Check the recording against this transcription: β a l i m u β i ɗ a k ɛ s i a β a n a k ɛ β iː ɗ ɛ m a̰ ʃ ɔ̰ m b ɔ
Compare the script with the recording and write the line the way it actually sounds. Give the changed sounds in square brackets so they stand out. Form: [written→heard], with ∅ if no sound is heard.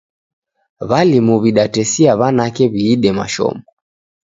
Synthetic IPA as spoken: β a l i m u β i ɗ a [k→t] ɛ s i a β a n a k ɛ β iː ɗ ɛ m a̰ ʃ ɔ̰ m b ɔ